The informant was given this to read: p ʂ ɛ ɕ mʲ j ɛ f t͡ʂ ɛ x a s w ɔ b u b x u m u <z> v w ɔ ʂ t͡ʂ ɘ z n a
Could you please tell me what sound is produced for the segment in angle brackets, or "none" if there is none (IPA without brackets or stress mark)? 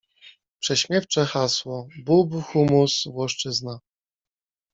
s